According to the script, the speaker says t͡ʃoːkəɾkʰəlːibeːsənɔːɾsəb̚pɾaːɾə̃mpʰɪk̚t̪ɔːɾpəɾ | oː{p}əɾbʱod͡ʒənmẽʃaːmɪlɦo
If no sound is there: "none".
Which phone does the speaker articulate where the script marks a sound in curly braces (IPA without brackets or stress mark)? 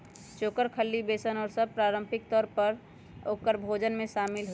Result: k